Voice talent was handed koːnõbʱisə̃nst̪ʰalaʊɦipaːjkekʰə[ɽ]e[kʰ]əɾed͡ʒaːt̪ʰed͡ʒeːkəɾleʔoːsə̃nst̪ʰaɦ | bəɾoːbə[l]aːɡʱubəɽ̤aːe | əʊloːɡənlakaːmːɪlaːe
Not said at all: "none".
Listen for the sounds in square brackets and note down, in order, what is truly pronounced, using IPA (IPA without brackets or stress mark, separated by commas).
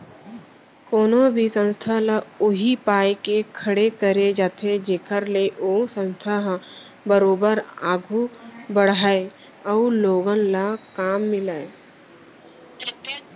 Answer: ɽ, k, ɾ